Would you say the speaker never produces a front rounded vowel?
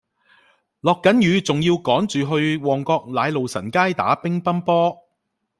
no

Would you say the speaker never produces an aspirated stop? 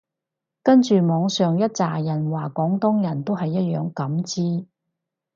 yes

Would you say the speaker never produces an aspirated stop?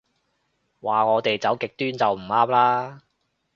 yes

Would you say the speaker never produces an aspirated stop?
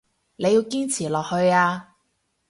no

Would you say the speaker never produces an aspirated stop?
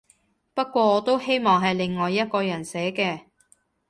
yes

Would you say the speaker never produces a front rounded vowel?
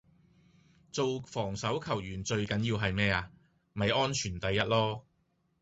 no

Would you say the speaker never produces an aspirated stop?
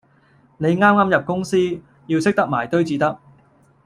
yes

